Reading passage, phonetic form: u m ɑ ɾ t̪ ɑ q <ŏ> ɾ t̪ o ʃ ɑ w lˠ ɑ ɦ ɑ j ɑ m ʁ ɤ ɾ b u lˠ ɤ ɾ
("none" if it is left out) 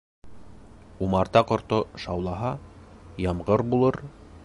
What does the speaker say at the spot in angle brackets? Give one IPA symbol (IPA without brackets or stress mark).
ŏ